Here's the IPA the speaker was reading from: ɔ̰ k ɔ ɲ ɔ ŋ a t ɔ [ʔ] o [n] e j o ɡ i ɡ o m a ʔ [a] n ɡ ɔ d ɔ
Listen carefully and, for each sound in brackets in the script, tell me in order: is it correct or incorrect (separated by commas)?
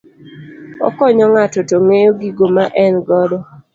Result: incorrect, incorrect, incorrect